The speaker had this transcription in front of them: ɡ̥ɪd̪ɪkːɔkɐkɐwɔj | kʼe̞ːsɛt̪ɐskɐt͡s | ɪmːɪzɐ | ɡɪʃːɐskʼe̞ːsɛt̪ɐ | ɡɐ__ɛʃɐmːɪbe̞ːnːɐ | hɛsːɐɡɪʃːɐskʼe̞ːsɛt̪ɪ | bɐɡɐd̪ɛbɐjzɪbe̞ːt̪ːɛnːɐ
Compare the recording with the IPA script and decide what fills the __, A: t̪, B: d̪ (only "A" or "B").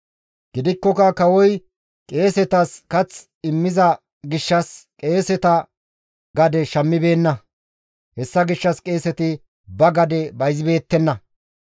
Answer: B